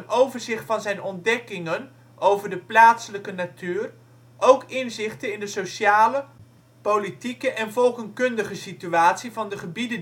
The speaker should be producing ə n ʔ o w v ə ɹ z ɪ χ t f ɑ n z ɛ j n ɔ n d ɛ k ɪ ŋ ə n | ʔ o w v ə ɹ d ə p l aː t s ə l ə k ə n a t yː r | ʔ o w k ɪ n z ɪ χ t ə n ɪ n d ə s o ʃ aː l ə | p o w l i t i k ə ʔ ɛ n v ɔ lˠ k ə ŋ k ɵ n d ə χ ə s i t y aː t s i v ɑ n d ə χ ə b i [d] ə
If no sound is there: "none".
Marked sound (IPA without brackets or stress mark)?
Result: d